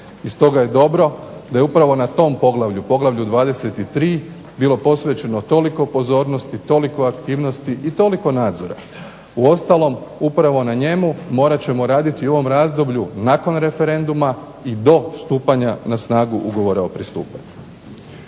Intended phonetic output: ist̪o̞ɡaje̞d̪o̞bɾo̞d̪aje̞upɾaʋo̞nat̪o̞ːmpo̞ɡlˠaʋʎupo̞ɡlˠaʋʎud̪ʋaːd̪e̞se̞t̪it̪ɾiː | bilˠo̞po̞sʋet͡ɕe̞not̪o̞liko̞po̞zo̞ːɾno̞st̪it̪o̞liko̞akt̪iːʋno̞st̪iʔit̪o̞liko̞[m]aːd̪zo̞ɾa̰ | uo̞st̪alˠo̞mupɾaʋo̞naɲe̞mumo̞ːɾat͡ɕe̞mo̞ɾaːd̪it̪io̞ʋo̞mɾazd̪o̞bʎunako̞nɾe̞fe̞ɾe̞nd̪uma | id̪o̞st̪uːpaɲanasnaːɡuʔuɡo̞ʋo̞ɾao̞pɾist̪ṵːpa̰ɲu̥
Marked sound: incorrect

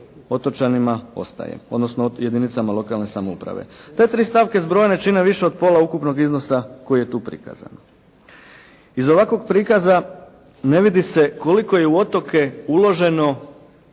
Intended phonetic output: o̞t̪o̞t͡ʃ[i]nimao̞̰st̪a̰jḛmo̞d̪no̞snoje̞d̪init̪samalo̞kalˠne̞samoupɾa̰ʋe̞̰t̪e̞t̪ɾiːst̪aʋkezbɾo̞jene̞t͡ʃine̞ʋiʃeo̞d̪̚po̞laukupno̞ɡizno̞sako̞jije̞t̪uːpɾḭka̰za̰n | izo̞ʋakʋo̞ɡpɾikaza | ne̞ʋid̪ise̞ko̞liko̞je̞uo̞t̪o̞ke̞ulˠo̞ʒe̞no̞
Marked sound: incorrect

